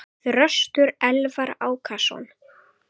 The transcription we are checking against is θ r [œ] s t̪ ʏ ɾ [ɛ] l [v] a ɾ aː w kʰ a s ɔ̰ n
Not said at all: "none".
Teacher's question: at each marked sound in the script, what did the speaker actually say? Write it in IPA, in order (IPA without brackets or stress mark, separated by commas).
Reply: œ, ɛ, v